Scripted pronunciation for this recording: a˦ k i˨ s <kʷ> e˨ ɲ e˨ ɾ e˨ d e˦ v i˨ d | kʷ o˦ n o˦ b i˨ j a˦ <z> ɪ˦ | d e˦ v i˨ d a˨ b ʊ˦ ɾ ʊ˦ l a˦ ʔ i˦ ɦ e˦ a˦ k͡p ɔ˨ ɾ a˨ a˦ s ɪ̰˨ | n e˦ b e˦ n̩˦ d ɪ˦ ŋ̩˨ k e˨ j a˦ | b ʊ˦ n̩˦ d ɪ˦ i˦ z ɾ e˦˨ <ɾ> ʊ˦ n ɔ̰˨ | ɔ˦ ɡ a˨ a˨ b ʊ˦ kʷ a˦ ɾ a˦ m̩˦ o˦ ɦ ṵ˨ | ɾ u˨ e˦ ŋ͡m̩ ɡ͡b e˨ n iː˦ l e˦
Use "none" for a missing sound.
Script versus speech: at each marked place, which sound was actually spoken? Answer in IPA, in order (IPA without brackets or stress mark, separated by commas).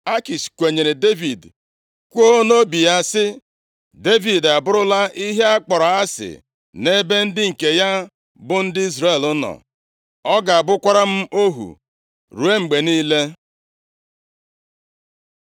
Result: kʷ, s, l